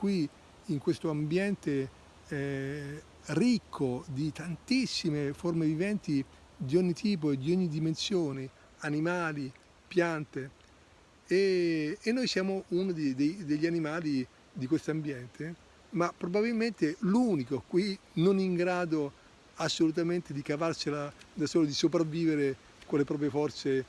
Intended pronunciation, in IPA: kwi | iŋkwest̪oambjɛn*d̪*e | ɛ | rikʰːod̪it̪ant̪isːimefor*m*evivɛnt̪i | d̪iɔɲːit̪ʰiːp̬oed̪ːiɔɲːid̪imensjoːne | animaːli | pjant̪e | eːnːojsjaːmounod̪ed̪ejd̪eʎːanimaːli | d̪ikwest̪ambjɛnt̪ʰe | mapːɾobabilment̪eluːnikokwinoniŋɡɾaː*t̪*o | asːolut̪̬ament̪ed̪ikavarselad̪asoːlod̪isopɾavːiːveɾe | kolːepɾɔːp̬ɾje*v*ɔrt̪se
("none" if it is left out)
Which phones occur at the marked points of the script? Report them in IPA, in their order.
t̪, m, d̪, f

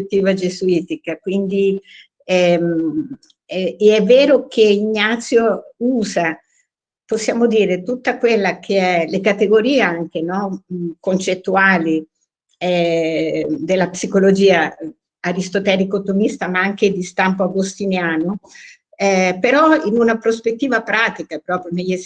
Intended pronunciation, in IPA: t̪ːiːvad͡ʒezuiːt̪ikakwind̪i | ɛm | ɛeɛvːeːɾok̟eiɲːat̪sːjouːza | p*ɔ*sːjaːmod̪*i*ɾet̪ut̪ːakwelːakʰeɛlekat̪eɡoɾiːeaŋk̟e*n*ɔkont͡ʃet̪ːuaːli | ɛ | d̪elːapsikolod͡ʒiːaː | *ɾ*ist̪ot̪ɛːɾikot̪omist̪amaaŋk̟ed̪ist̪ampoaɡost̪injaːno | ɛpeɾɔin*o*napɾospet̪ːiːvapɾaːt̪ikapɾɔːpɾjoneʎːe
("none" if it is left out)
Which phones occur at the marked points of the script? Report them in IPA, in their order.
o, iː, n, ɾ, u

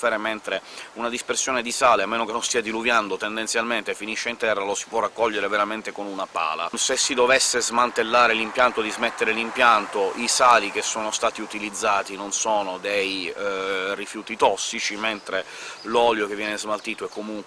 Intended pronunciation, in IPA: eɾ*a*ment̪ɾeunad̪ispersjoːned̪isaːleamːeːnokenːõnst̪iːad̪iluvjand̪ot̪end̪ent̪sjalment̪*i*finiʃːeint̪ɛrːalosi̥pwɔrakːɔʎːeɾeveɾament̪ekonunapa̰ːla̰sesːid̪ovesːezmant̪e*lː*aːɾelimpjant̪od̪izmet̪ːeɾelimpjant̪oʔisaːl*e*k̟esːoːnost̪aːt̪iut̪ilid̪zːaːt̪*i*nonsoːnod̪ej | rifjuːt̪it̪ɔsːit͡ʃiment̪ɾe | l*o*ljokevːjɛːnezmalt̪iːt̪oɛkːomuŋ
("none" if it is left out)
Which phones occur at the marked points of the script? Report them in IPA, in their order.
e, e, lː, i, i, ɔ

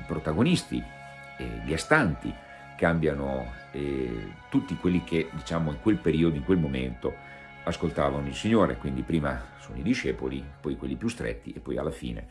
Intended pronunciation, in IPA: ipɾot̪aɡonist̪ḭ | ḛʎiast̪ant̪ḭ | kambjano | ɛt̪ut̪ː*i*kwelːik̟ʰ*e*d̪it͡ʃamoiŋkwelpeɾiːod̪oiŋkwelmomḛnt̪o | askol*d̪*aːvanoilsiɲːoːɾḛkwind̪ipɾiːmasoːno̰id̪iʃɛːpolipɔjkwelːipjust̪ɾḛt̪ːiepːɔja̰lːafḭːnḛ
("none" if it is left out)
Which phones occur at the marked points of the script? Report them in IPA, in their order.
i, e, t̪

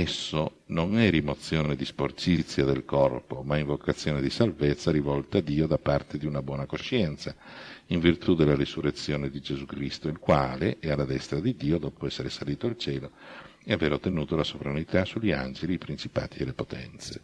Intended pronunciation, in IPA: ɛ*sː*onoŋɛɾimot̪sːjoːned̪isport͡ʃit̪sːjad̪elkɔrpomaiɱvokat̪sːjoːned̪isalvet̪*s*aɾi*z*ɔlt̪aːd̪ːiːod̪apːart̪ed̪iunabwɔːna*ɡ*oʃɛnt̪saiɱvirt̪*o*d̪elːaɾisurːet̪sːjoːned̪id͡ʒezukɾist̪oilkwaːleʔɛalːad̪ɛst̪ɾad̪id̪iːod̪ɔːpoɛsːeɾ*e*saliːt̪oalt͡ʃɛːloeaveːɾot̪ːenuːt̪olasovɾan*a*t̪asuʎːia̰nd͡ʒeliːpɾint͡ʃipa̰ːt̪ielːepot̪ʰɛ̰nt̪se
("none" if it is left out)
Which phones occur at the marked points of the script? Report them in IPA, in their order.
sː, sː, v, k, u, e, i

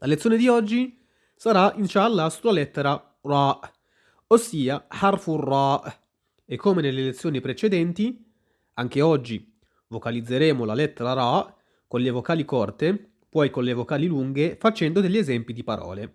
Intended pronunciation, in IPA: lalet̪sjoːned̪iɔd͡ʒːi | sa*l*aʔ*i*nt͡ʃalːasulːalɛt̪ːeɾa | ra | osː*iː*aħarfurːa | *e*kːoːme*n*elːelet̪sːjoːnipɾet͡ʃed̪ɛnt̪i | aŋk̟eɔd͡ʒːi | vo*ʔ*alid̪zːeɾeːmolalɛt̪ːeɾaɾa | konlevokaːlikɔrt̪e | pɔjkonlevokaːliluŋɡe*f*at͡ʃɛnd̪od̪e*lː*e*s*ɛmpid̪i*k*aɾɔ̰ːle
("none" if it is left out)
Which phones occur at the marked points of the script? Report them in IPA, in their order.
ɾ, i, iː, e, n, k, f, ʎː, z, p

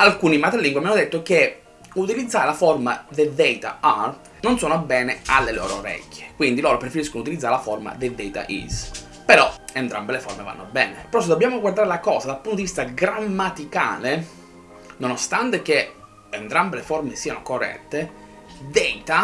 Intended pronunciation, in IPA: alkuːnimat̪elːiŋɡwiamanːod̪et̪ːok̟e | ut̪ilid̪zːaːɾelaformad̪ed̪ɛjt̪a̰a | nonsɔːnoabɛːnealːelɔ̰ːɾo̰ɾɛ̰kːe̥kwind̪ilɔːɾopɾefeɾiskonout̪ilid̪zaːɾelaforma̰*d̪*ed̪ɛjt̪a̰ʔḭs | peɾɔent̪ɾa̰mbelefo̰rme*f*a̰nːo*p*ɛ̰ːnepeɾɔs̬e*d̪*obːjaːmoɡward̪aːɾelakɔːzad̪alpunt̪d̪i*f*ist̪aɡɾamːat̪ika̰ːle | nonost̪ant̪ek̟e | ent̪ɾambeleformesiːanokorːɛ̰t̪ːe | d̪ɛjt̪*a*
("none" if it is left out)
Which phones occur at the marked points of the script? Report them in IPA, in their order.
d̪, v, b, d̪, v, a

